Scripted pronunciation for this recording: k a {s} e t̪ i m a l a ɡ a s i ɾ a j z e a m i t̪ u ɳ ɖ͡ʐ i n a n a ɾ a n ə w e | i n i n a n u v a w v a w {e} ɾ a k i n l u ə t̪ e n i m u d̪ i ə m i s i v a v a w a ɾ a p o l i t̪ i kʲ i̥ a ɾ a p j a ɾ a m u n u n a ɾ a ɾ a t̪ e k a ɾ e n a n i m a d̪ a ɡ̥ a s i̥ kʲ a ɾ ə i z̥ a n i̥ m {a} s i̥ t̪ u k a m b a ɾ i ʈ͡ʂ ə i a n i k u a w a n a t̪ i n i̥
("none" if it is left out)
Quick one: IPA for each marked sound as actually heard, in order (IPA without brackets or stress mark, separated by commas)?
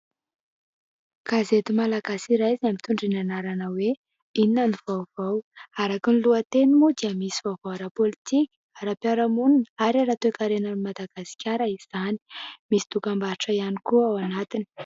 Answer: z, a, i